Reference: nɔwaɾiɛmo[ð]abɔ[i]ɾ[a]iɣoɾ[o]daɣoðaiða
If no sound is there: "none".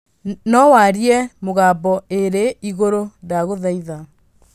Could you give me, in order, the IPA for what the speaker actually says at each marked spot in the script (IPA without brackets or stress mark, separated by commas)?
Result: ɣ, e, e, o